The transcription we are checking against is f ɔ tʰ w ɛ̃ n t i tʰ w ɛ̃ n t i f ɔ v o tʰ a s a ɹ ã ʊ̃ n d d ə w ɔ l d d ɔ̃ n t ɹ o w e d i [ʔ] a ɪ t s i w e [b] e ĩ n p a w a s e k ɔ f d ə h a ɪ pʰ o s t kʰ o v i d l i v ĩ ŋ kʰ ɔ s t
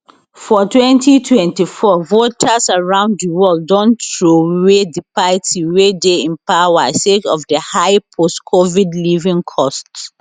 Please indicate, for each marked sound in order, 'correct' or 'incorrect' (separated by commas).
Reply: incorrect, incorrect